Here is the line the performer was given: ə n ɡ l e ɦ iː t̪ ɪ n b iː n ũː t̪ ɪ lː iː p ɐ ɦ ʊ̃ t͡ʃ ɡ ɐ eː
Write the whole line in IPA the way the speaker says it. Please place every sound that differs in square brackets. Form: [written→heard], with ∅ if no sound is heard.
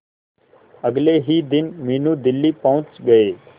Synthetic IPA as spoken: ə [n→∅] ɡ l e ɦ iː [t̪→d̪] ɪ n [b→m] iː n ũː [t̪→d̪] ɪ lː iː p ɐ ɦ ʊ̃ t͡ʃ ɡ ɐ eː